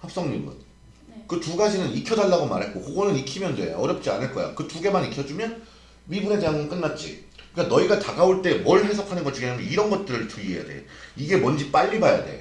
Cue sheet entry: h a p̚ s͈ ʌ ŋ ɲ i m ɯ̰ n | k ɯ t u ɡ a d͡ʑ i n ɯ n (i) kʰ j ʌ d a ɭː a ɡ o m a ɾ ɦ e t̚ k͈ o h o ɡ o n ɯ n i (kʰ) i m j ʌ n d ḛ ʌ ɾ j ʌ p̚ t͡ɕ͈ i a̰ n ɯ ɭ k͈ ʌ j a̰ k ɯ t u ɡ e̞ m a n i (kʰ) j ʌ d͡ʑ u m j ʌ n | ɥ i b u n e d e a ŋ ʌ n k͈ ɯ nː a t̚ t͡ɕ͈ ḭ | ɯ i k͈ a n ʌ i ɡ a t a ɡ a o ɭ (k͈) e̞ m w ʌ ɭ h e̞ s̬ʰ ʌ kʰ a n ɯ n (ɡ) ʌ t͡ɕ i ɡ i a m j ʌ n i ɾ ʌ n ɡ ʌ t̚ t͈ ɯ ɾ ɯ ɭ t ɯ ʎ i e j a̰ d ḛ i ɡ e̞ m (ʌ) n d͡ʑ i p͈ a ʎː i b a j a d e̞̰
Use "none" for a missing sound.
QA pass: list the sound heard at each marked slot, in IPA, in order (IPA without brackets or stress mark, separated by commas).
i, kʰ, kʰ, t͈, ɡ, ʌ